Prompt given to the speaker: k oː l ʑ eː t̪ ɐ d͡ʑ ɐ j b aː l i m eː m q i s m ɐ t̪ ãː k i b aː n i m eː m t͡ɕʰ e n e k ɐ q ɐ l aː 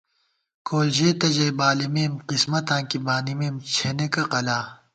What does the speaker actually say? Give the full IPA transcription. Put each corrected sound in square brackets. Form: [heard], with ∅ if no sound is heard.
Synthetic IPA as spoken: k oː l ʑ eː t̪ ɐ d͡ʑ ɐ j b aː l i m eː m q i s m ɐ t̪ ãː k i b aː n i m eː m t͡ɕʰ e n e k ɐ q ɐ l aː